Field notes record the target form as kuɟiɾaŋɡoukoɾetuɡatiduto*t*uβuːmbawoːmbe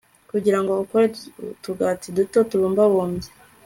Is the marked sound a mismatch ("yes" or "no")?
no